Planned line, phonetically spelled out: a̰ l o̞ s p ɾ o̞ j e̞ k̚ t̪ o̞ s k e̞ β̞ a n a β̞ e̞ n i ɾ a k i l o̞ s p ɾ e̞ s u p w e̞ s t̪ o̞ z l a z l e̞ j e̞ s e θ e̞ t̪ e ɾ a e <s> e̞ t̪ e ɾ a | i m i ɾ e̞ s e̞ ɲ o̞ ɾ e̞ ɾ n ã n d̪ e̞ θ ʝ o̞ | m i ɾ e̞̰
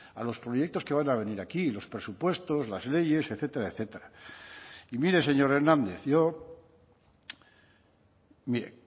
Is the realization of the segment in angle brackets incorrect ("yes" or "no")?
yes